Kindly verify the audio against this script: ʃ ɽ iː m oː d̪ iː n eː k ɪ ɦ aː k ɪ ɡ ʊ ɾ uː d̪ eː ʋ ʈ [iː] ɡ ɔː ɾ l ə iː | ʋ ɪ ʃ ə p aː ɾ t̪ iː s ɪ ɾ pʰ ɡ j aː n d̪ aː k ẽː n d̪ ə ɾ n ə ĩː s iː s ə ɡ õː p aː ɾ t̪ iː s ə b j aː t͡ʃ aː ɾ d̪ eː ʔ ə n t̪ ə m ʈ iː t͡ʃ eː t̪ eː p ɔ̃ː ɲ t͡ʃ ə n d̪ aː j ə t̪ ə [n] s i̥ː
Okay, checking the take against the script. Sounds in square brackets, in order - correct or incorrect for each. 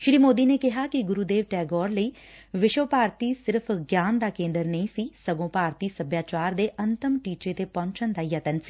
incorrect: ɛː, correct

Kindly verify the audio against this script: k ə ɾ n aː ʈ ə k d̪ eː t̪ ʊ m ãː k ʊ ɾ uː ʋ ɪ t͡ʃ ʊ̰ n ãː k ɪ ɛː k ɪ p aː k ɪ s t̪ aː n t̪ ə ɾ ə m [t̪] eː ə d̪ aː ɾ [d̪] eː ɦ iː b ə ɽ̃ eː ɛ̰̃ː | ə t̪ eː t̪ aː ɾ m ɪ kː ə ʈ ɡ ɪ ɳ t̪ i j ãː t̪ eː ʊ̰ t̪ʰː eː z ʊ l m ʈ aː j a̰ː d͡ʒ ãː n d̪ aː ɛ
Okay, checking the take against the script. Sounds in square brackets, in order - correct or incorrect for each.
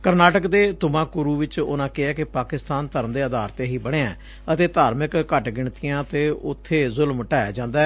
incorrect: d̪, incorrect: t̪

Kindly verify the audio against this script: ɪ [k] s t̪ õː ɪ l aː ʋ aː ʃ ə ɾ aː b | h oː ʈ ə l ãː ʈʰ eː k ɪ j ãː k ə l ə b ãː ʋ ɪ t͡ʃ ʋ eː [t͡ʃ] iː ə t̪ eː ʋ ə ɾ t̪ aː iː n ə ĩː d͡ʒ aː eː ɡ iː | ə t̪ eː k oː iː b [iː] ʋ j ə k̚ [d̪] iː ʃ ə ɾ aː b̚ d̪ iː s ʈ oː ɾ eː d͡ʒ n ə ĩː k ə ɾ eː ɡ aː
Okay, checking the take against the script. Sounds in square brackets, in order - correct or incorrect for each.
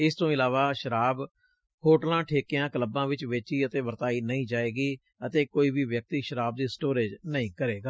incorrect: none, correct, correct, incorrect: t̪

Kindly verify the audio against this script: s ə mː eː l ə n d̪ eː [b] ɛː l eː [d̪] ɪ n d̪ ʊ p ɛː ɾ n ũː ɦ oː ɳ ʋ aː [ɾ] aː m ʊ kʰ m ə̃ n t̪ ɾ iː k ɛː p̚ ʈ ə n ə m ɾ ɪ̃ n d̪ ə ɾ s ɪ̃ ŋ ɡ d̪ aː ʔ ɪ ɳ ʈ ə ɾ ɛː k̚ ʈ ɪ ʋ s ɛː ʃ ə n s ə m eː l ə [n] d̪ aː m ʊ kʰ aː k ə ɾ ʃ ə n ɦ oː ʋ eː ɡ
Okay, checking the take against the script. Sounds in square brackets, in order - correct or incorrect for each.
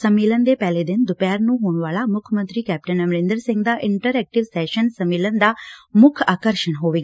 incorrect: p, correct, incorrect: l, correct

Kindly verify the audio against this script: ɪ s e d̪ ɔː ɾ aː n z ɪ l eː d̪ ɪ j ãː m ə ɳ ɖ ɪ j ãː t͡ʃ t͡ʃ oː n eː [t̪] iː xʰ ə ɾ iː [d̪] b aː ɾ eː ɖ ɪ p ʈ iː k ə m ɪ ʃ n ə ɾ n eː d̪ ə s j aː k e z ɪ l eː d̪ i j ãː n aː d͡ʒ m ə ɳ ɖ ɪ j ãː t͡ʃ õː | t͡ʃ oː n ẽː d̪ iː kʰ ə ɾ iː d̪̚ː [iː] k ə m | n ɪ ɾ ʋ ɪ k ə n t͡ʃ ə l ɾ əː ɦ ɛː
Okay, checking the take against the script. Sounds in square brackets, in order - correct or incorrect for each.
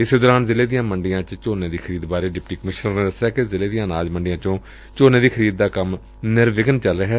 incorrect: d̪, correct, incorrect: aː

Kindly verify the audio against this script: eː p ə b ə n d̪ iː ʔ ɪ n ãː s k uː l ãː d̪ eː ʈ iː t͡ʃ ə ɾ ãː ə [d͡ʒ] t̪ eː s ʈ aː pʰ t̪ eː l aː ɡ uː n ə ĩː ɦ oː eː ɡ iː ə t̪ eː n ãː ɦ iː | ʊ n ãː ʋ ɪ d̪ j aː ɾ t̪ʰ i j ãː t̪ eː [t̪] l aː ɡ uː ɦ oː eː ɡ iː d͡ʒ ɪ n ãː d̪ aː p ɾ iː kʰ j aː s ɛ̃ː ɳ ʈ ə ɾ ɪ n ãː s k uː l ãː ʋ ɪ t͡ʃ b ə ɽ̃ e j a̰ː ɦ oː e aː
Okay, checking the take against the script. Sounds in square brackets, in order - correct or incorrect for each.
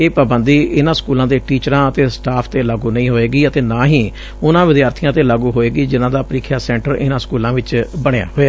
incorrect: none, incorrect: none

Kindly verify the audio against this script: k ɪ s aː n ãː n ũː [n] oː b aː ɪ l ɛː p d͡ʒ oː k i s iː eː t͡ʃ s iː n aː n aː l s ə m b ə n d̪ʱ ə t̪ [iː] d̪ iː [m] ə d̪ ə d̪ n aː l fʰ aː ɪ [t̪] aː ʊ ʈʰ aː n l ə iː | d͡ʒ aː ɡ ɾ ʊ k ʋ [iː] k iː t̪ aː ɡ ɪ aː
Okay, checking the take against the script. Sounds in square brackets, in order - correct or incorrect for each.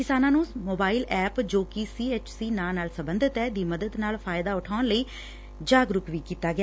incorrect: m, incorrect: ɛː, correct, incorrect: d̪, correct

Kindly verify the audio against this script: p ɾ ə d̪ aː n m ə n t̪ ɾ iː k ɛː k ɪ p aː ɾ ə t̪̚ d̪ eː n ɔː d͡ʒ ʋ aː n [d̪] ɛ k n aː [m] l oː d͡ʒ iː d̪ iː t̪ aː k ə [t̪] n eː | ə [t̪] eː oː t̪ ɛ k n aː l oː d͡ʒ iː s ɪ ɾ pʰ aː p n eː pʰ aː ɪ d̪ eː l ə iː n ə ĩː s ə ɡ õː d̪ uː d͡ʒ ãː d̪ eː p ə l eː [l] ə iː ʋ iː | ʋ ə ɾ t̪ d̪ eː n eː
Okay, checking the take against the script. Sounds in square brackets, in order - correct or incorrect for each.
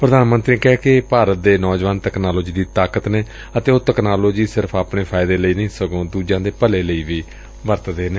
incorrect: t̪, incorrect: none, correct, correct, correct

